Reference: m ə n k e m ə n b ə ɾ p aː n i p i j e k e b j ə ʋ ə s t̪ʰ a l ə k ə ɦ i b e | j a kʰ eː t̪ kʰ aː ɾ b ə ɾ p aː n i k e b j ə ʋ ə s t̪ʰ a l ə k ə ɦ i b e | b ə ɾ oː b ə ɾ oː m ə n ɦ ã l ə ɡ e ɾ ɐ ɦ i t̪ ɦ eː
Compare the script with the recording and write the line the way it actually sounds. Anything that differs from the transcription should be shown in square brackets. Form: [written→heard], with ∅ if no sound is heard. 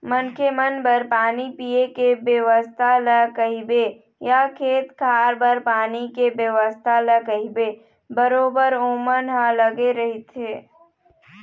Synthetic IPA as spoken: m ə n k e m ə n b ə ɾ p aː n i p i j e k e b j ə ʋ ə s t̪ʰ a l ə k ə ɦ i b e | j a kʰ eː t̪ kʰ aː ɾ b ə ɾ p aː n i k e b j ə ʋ ə s t̪ʰ a l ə k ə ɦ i b e | b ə ɾ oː b ə ɾ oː m ə n ɦ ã l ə ɡ e ɾ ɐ ɦ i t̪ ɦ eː